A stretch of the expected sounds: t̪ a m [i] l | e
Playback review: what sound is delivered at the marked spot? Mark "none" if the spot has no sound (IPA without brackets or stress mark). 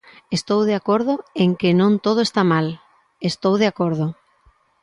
a